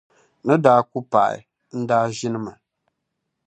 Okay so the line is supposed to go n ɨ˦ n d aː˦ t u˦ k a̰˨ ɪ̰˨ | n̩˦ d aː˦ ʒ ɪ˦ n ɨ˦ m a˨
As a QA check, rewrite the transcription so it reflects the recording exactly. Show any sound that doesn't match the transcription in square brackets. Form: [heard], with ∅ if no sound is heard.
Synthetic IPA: n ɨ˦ [∅] d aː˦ [k] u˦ [p] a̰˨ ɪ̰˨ | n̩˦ d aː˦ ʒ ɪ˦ n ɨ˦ m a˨